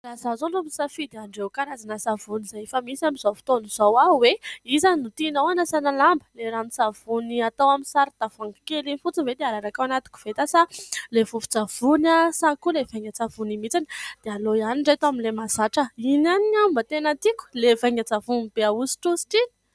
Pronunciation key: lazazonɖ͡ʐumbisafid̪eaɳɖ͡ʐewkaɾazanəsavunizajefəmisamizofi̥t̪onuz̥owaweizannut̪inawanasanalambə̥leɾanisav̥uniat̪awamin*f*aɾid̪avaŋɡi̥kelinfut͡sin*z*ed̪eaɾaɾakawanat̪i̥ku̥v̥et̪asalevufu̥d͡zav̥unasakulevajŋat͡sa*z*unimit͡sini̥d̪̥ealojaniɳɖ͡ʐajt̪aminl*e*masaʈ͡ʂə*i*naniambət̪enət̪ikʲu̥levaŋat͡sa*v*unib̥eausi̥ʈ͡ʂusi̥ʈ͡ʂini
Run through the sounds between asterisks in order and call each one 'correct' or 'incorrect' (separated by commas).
incorrect, incorrect, incorrect, correct, correct, correct